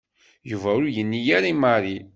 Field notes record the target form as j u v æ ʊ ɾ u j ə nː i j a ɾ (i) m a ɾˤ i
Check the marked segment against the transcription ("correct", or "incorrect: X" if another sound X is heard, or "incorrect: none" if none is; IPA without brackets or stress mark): correct